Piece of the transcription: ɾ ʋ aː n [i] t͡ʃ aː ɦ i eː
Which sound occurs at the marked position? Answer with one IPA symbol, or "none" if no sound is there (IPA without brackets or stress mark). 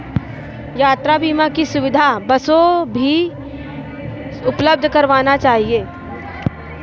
a